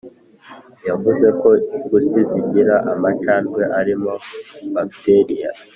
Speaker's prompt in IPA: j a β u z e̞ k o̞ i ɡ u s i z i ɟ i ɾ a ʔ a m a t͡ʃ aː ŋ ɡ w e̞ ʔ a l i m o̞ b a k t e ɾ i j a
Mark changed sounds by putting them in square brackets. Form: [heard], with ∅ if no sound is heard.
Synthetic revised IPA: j a [v] u z e̞ k o̞ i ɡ u s i z i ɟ i ɾ a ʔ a m a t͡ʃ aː [n] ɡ w e̞ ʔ a [ɾ] i m o̞ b a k t e ɾ i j a